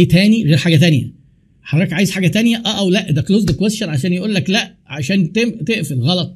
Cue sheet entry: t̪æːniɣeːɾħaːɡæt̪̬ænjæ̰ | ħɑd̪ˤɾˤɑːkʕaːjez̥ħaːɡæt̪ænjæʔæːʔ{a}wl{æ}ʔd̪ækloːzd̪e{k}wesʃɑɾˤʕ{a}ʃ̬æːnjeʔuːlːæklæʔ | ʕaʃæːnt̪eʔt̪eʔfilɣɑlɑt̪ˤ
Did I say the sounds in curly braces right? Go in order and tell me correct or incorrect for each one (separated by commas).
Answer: incorrect, correct, correct, correct